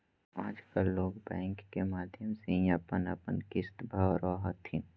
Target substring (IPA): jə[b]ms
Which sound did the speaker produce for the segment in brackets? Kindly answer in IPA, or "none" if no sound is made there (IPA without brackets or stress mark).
none